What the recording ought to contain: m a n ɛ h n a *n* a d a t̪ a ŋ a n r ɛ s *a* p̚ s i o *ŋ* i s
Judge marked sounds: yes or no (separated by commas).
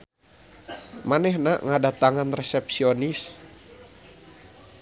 no, no, no